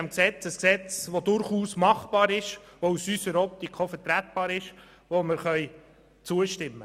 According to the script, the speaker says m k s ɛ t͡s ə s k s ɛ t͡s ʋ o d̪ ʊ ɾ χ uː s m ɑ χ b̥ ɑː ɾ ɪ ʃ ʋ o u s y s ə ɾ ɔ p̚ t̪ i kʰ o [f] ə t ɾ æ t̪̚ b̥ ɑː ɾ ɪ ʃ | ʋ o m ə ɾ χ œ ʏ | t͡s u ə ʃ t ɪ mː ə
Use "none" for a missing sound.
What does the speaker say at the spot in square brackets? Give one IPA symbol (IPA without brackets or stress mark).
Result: f